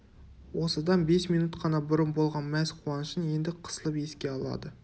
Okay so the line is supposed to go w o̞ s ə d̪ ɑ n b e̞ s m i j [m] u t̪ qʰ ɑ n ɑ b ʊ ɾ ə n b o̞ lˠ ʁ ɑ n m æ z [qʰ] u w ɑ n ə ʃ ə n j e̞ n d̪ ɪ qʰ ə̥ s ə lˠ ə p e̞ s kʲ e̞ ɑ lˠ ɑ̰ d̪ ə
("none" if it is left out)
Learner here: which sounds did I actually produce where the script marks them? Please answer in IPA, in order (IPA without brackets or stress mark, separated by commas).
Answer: n, qʰ